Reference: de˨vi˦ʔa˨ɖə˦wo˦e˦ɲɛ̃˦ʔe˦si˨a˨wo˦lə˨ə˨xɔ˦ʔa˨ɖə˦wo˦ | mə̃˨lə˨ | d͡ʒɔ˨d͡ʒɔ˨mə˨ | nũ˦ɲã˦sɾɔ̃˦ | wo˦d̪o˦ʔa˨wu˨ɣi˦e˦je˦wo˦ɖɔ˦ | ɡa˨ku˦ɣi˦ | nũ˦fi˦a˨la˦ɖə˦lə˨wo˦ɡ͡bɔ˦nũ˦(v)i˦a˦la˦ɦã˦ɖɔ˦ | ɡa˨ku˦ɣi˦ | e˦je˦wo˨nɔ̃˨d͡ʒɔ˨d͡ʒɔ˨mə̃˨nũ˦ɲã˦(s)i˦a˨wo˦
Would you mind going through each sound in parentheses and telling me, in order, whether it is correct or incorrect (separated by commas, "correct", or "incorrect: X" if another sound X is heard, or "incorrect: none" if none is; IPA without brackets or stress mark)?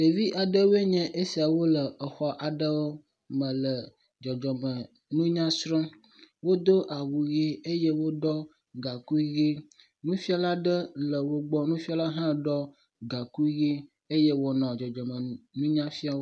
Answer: incorrect: f, incorrect: f